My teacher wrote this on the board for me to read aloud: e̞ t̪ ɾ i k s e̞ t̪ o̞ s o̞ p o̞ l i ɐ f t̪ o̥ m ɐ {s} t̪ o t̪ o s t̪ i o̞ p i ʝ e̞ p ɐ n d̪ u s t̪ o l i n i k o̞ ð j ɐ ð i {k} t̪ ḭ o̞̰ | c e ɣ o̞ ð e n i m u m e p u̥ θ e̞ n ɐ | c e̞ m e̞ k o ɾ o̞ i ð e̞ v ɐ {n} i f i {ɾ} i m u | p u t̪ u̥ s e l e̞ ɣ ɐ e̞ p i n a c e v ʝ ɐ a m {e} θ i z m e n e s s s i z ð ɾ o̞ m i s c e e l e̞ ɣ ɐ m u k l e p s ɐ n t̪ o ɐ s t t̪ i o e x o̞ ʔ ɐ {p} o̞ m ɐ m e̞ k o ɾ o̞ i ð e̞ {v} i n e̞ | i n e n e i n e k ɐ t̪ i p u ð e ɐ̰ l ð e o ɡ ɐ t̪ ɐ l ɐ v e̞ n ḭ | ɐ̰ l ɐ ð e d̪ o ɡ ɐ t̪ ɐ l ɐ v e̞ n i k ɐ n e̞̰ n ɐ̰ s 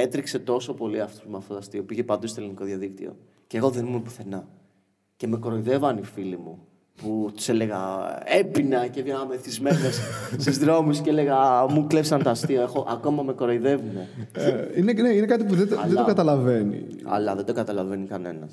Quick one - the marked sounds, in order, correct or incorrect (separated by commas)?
incorrect, correct, correct, incorrect, correct, incorrect, correct